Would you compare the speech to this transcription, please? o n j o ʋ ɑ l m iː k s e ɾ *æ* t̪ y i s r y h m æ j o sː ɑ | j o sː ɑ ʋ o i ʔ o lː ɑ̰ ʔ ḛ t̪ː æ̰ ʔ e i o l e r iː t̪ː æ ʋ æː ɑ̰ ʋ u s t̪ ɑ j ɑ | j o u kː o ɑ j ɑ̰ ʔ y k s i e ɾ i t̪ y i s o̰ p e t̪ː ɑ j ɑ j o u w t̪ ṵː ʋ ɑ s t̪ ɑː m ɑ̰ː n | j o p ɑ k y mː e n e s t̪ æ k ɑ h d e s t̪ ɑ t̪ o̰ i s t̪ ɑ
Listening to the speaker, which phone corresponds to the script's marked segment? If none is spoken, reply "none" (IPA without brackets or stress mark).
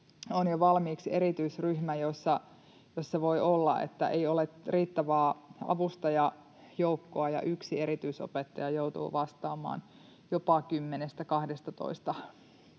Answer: i